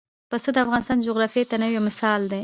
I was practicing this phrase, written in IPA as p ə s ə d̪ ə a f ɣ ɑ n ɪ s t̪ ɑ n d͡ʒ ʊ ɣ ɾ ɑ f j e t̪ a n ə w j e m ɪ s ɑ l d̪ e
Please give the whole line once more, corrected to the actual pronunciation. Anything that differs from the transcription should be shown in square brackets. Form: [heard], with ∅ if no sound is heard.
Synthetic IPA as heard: p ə s ə d̪ ə a f ɣ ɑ n ɪ s t̪ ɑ n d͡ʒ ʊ ɣ ɾ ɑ f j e t̪ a n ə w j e m ɪ s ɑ l d̪ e